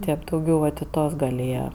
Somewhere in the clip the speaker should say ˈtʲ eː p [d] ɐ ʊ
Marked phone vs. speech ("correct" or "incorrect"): correct